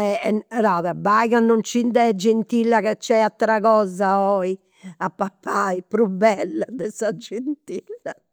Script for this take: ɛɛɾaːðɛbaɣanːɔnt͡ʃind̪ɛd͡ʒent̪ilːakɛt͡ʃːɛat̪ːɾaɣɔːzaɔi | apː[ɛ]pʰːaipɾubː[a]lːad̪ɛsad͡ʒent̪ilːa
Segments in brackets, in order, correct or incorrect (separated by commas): incorrect, incorrect